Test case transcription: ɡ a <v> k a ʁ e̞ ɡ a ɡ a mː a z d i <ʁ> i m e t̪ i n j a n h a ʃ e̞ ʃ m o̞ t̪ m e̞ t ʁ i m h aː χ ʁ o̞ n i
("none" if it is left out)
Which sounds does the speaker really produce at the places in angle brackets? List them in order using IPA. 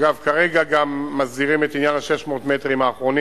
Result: v, ʁ

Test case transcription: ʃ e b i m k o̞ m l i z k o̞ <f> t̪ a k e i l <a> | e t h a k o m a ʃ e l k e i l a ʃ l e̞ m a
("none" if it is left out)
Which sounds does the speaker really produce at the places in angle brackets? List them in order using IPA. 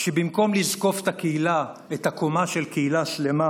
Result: f, a

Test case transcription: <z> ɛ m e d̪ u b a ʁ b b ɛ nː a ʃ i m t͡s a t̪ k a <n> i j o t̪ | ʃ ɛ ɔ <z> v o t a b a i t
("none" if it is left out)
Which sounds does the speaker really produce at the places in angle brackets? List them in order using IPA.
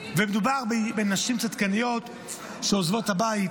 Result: v, n, z

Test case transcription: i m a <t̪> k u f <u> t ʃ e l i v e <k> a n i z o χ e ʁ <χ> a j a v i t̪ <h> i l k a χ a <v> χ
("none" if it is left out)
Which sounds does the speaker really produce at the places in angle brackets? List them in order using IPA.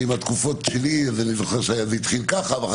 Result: t̪, o, none, ʃ, χ, v

